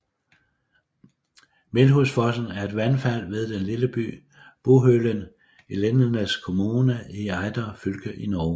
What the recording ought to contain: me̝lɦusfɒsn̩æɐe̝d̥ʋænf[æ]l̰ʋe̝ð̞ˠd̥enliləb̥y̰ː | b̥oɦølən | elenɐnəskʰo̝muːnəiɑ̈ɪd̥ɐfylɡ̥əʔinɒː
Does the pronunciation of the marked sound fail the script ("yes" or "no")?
no